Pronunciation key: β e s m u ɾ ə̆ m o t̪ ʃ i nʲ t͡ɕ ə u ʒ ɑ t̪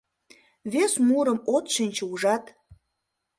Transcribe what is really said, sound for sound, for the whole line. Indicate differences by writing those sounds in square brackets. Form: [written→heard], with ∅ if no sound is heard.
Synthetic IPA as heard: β e s m u ɾ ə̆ m o t̪ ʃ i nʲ t͡ɕ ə u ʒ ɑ t̪